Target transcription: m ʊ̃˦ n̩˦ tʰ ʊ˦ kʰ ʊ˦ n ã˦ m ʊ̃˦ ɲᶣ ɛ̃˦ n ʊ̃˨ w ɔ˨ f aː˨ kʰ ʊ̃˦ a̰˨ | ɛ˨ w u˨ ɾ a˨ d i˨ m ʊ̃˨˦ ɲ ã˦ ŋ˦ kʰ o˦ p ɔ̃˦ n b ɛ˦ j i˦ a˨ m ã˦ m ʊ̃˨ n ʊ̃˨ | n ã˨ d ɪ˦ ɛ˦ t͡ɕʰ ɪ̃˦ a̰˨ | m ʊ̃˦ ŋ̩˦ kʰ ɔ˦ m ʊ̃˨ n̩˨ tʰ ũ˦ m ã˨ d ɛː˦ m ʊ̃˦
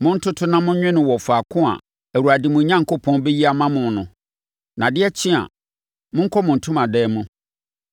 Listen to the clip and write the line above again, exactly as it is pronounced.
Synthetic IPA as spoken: m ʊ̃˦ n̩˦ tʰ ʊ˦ tʰ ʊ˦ n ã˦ m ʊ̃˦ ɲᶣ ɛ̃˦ n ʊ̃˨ w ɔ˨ f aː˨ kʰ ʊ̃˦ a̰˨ | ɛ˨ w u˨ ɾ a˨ d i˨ m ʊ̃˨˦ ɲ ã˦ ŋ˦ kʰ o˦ pʰ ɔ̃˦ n b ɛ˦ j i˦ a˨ m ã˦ m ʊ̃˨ n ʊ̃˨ | n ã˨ d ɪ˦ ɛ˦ t͡ɕʰ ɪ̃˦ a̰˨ | m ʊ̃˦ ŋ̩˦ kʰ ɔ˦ m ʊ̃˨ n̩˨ tʰ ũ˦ m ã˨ d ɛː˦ m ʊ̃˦